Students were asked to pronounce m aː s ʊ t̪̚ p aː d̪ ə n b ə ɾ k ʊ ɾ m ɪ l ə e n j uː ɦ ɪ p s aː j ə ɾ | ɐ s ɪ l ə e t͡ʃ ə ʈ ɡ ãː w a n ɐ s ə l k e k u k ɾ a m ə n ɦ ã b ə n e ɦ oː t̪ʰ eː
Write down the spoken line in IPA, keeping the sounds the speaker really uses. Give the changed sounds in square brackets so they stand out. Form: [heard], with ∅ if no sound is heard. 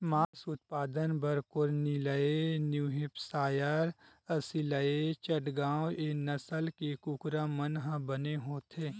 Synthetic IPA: m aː s ʊ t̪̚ p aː d̪ ə n b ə ɾ k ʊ ɾ [n] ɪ l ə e n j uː ɦ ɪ p s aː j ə ɾ | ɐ s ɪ l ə e t͡ʃ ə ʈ ɡ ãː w [e] n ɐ s ə l k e k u k ɾ a m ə n ɦ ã b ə n e ɦ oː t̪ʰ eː